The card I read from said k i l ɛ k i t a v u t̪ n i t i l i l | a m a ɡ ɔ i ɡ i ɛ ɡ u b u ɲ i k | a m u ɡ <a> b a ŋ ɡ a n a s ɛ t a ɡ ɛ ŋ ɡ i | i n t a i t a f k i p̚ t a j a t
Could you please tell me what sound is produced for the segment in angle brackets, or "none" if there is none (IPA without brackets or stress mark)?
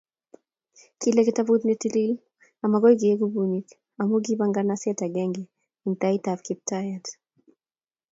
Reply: i